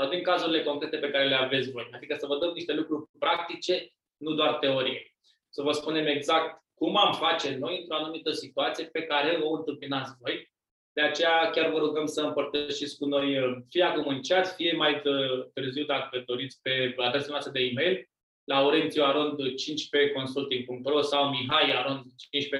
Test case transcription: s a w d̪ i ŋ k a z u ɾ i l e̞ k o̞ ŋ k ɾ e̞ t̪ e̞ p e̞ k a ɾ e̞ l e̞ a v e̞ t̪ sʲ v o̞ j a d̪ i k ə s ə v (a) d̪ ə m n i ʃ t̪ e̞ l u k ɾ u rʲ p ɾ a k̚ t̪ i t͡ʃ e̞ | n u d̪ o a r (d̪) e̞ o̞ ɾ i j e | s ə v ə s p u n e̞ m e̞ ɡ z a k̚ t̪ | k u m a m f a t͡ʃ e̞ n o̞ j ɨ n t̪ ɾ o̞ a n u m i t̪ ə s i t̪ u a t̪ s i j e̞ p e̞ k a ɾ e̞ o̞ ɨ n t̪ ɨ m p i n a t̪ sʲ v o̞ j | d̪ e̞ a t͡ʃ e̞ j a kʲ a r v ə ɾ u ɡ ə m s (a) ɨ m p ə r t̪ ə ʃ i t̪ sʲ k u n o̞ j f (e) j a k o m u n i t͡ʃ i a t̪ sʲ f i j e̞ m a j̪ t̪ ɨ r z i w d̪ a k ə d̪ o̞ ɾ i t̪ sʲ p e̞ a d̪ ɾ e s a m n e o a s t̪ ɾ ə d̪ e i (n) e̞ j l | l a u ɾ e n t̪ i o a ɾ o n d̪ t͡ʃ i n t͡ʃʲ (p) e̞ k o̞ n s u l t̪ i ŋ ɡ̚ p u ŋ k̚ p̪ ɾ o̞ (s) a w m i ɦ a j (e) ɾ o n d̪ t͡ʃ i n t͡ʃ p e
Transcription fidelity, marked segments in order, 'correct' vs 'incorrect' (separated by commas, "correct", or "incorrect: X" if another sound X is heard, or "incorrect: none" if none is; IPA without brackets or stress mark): incorrect: ə, incorrect: t̪, incorrect: ə, incorrect: i, incorrect: m, correct, correct, incorrect: a